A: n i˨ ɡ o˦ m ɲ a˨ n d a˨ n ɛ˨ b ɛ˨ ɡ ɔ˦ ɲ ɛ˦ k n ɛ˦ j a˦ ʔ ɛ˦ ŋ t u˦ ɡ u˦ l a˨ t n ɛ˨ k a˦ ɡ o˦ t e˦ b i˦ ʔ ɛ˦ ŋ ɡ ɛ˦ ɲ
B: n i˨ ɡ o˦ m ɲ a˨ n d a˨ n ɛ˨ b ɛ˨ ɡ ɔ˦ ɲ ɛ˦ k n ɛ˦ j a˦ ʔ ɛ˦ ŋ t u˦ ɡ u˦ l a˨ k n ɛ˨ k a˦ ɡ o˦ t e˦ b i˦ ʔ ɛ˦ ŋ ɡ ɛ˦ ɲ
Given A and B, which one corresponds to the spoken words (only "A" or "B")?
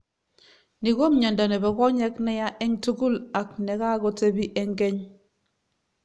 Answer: B